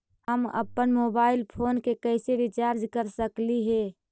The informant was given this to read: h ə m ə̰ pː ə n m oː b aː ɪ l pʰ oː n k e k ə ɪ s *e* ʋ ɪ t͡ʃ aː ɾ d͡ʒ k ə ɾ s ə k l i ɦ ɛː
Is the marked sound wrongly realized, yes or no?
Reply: no